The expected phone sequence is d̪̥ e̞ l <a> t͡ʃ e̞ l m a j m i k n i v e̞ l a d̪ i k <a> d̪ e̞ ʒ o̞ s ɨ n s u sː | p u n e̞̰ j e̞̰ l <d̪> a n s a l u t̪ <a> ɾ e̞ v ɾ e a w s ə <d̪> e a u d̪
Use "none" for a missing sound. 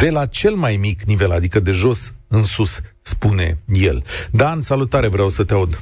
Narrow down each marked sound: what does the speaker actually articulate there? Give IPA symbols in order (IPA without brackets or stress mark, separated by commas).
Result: a, ə, d̪, a, t̪